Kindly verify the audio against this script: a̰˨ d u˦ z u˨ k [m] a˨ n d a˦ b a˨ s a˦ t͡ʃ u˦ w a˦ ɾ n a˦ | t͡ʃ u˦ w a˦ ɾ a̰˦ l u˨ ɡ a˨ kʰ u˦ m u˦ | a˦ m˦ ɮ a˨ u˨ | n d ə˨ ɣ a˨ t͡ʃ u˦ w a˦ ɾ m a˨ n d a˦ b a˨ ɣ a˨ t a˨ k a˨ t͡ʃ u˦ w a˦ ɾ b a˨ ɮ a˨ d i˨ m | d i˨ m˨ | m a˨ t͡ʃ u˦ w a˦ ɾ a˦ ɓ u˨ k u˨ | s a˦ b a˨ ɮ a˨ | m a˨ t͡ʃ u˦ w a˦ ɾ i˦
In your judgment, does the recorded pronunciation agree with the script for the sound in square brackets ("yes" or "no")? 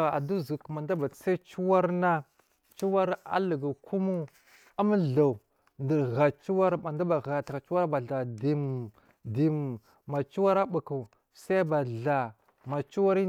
yes